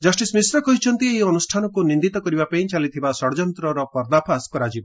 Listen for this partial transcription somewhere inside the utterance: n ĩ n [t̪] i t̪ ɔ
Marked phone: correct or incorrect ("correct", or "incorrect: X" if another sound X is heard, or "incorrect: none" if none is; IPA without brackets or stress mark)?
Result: incorrect: d̪